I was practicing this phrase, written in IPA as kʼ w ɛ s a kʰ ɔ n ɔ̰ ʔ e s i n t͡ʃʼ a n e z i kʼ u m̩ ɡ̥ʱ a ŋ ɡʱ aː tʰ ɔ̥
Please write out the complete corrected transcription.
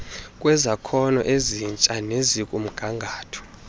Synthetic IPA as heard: kʼ w ɛ z a kʰ ɔ n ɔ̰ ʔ e z i n t͡ʃʼ a n e z i kʼ u m̩ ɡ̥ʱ a ŋ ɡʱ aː tʰ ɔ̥